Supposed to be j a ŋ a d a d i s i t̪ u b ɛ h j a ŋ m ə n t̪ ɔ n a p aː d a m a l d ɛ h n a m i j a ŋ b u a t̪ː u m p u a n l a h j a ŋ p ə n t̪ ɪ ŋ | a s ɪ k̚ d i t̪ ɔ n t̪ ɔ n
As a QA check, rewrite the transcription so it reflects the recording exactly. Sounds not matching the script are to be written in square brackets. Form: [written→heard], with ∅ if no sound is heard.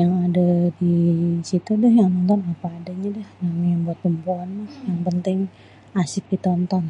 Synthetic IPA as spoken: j a ŋ a d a d i s i t̪ u [b→d] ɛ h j a ŋ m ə n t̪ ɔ n a p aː d a [m→ɲ] a [l→∅] d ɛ h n a m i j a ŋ b u a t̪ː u m p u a n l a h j a ŋ p ə n t̪ ɪ ŋ | a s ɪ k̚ d i t̪ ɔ n t̪ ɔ n